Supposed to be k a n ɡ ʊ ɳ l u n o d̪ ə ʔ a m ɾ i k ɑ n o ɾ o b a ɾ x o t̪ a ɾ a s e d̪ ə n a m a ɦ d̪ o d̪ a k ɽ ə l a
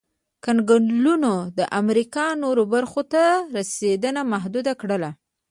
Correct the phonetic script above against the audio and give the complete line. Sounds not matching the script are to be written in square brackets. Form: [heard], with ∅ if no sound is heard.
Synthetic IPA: k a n ɡ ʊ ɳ l u n o d̪ ə ʔ a m ɾ i k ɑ n o ɾ o b a ɾ x o t̪ a ɾ a s e d̪ ə n a m a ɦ d̪ [u] d̪ a k ɽ ə l a

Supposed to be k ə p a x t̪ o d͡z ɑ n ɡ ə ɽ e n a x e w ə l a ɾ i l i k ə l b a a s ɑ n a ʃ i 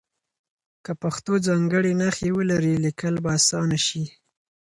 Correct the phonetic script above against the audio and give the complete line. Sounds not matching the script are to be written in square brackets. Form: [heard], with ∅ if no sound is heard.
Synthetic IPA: k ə p a x t̪ o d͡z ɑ [ŋ] ɡ ə ɽ e n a x e w ə l a ɾ i l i k ə l b a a s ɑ n a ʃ i

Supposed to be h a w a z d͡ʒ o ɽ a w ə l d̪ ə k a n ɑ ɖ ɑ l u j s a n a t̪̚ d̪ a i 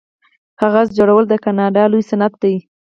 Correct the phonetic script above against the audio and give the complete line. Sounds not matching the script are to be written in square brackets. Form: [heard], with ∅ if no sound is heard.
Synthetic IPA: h a [ɣ] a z d͡ʒ o ɽ a w ə l d̪ ə k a n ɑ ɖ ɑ l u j s a n a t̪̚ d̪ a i

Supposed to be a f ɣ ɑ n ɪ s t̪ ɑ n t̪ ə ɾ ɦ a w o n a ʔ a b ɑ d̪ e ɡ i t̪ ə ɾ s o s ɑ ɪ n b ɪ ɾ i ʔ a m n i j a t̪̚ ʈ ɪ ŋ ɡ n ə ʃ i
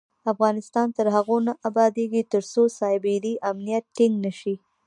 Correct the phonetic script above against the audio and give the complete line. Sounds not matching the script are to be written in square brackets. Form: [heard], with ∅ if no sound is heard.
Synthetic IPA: a f ɣ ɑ n ɪ s t̪ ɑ n t̪ ə ɾ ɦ a [ɣ] o n a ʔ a b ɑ d̪ e ɡ i t̪ ə ɾ s o s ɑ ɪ [∅] b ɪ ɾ i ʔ a m n i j a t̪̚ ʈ ɪ ŋ ɡ n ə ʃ i

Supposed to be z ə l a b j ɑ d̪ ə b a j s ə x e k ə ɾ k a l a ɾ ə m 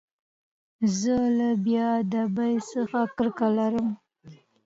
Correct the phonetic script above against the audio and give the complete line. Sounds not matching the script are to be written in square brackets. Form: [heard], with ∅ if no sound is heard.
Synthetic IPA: z ə l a b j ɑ d̪ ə b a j s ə x [a] k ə ɾ k a l a ɾ ə m

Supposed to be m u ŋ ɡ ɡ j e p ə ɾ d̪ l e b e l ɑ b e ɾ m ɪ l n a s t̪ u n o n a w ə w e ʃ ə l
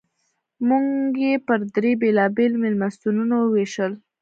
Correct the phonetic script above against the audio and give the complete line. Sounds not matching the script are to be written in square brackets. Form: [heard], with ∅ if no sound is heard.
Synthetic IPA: m u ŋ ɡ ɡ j e p ə ɾ d̪ [ɾ] e b e l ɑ b e [l] m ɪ l [m] a s t̪ u n [u] n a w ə w e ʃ ə l

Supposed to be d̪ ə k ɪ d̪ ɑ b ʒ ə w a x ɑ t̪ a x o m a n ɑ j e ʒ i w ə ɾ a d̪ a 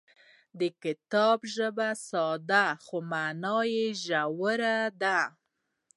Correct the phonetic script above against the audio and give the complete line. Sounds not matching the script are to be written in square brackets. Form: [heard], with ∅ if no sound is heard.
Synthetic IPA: d̪ ə k ɪ [t̪] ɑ b ʒ ə [b] a [s] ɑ [d̪] a x o m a n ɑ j e ʒ [a] w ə ɾ a d̪ a

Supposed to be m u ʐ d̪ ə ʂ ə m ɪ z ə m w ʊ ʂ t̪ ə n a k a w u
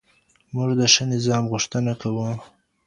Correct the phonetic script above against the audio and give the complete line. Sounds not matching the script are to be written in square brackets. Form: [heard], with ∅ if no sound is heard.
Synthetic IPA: m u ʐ d̪ ə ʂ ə [n] ɪ z [ɑ] m [ɣ] ʊ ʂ t̪ ə n a k a w u

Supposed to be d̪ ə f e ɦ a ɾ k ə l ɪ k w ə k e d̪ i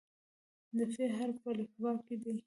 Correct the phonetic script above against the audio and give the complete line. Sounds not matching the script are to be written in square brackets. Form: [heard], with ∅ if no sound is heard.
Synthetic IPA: d̪ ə f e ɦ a ɾ [p] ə l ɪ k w [ɑ] k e d̪ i

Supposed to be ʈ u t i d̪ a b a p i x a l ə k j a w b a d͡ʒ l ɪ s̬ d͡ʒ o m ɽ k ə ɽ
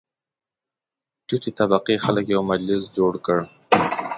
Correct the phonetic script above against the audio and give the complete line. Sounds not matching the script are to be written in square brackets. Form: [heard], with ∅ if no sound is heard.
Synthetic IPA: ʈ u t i [t̪] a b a [q] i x a l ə k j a w [m] a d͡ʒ l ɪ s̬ d͡ʒ o [∅] ɽ k ə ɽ

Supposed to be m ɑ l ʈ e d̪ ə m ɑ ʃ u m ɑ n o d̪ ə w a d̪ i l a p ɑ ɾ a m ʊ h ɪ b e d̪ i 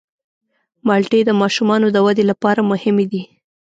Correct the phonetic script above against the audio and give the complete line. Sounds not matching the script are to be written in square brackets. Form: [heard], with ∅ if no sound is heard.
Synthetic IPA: m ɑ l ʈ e d̪ ə m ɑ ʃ u m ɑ n o d̪ ə w a d̪ [e] l a p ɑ ɾ a m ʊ h ɪ [m] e d̪ i

